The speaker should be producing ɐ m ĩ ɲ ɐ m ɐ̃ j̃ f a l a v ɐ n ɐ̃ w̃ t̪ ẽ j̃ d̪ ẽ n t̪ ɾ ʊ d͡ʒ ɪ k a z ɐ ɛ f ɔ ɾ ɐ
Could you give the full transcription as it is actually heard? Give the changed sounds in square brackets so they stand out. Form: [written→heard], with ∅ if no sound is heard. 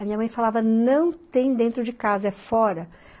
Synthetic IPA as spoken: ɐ m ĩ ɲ ɐ m ɐ̃ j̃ f a l a v ɐ n ɐ̃ w̃ t̪ ẽ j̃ d̪ ẽ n t̪ ɾ ʊ d͡ʒ ɪ k a z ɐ ɛ f ɔ ɾ ɐ